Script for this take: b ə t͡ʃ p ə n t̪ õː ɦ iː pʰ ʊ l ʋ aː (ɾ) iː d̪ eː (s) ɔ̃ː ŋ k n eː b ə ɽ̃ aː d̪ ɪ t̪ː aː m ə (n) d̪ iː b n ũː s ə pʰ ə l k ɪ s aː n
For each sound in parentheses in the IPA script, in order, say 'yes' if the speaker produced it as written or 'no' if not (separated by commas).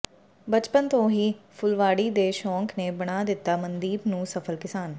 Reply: no, no, yes